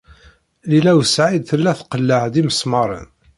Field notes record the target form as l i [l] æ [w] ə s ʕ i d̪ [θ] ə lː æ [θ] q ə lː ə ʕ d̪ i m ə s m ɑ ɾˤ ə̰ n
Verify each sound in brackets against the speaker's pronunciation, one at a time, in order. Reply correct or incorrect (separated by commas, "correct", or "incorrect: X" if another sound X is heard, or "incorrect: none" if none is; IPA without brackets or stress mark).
correct, correct, correct, correct